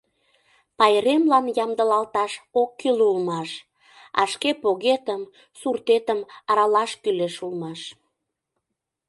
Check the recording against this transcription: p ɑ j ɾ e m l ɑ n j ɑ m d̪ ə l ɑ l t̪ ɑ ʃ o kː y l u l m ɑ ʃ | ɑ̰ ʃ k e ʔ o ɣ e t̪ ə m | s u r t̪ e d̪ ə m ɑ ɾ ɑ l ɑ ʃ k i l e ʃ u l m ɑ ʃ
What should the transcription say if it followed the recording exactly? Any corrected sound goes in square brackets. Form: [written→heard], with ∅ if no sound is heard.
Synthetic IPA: p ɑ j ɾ e m l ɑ n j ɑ m d̪ ə l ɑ l t̪ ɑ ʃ o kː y l u l m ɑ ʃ | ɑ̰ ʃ k e [ʔ→p] o ɣ e t̪ ə m | s u r t̪ e [d̪→t̪] ə m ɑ ɾ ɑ l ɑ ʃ k [i→y] l e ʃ u l m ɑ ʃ